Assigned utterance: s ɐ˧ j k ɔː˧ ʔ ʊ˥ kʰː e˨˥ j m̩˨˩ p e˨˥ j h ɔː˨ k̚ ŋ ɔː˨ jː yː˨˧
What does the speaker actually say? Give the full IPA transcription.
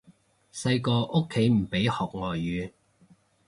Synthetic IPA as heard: s ɐ˧ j k ɔː˧ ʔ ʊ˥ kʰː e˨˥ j m̩˨˩ p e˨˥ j h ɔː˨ k̚ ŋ ɔː˨ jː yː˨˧

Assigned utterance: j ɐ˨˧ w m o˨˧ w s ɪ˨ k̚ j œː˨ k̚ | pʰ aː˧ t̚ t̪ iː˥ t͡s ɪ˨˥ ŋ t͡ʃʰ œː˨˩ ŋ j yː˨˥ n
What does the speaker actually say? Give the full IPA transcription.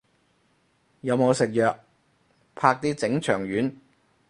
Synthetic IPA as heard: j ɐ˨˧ w m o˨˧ w s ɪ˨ k̚ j œː˨ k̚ | pʰ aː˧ k̚ t̪ iː˥ t͡s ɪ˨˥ ŋ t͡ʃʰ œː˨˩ ŋ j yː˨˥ n

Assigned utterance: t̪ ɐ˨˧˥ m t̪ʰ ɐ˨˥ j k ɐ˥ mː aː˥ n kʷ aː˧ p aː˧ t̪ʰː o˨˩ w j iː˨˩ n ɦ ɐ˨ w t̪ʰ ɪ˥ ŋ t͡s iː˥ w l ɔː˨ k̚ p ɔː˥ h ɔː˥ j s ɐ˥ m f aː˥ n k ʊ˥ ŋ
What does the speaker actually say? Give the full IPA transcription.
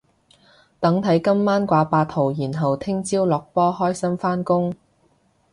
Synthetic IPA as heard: t̪ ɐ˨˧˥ ŋ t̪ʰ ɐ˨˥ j k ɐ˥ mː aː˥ n kʷ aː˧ p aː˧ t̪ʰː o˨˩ w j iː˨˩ n ɦ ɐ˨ w t̪ʰ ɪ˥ ŋ t͡s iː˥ w l ɔː˨ k̚ p ɔː˥ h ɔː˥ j s ɐ˥ m f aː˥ n k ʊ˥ ŋ

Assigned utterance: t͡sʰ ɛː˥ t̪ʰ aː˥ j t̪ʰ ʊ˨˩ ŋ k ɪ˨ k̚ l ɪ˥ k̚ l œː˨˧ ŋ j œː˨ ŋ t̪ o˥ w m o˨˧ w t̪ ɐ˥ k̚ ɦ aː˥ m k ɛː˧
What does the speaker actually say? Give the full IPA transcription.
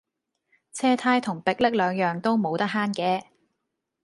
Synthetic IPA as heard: t͡sʰ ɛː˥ t̪ʰ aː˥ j t̪ʰ ʊ˨˩ ŋ p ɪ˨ k̚ l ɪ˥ k̚ l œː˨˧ ŋ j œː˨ ŋ t̪ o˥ w m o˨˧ w t̪ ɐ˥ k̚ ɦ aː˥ n k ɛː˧

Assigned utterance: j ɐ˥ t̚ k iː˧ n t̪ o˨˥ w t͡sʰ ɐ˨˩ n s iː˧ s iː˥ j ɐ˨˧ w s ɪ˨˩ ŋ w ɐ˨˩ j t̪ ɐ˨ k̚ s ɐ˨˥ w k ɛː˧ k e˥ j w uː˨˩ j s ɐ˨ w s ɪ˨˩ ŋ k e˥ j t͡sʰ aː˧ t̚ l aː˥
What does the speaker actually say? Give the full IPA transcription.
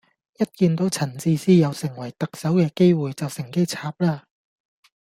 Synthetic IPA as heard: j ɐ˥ t̚ k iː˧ n t̪ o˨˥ w t͡sʰ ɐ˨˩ n t͡s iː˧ s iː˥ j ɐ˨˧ w s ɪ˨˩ ŋ w ɐ˨˩ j t̪ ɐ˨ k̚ s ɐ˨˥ w k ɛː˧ k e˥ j w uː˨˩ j t͡s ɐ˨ w s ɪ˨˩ ŋ k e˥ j t͡sʰ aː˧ p̚ l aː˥

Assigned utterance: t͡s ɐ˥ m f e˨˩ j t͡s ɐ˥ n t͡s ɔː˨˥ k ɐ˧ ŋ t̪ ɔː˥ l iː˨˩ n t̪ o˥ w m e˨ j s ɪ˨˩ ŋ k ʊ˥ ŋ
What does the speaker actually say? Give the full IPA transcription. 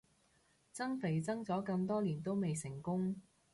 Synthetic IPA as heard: t͡s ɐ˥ ŋ f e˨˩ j t͡s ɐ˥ ŋ t͡s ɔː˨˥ k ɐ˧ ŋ t̪ ɔː˥ l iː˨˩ n t̪ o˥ w m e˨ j s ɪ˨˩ ŋ k ʊ˥ ŋ

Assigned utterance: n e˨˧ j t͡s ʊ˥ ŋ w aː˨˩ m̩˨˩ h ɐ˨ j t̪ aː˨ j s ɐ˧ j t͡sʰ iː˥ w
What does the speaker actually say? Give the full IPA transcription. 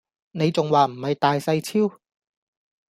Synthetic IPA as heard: n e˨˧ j t͡s ʊ˨ ŋ w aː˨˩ m̩˨˩ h ɐ˨ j t̪ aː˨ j s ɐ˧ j t͡sʰ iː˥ w

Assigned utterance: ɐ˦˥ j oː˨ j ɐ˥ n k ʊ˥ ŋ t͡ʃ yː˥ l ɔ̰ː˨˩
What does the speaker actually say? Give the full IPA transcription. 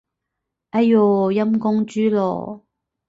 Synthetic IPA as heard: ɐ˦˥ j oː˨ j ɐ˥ m k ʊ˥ ŋ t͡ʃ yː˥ l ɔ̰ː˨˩

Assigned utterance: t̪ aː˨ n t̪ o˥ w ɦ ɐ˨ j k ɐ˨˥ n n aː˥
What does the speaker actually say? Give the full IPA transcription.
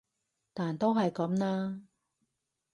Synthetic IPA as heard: t̪ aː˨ n t̪ o˥ w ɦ ɐ˨ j k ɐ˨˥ m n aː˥

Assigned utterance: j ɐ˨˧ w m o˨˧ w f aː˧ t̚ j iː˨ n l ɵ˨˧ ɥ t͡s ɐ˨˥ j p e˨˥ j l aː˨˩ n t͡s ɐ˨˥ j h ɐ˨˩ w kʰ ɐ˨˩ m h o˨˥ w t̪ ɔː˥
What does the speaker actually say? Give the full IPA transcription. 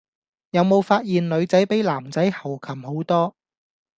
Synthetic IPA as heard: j ɐ˨˧ w m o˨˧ w f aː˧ t̚ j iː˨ n l ɵ˨˧ ɥ t͡s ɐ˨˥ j p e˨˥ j l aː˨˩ m t͡s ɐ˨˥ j h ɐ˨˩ w kʰ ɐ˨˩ m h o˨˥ w t̪ ɔː˥

